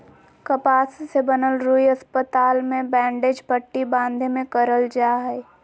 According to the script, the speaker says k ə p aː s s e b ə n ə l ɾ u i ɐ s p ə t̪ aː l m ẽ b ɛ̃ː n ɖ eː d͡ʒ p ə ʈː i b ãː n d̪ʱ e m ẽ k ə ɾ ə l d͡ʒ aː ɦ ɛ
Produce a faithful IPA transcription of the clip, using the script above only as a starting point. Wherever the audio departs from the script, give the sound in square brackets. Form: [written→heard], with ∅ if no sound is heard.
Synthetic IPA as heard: k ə p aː s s e b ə n ə l ɾ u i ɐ s p ə t̪ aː l m ẽ b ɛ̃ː [n→ɳ] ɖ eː d͡ʒ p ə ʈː i b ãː n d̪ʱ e m ẽ k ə ɾ ə l d͡ʒ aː ɦ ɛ